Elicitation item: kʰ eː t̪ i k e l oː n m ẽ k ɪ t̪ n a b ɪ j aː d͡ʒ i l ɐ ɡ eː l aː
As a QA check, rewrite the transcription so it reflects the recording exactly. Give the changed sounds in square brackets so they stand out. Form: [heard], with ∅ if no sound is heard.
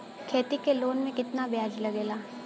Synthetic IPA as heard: kʰ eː t̪ i k e l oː n m ẽ k ɪ t̪ n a b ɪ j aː d͡ʒ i l ɐ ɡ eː l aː